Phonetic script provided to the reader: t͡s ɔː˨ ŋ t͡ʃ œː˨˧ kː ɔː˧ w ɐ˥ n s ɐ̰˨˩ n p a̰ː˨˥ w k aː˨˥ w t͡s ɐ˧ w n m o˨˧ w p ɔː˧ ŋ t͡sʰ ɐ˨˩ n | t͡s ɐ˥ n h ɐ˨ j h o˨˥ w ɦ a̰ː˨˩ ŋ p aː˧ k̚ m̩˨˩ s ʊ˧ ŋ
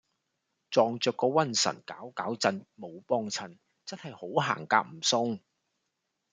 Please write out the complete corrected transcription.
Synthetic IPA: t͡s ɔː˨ ŋ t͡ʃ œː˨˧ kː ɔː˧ w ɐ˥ n s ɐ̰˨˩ n k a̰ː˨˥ w k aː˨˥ w t͡s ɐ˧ n m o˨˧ w p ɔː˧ ŋ t͡sʰ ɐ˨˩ n | t͡s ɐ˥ n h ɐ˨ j h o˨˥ w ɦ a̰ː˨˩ ŋ k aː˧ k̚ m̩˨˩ s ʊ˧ ŋ